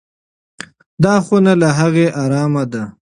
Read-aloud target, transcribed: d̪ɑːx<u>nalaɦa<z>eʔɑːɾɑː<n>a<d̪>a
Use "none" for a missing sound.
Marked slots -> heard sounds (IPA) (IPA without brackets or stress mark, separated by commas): o, ɣ, m, d̪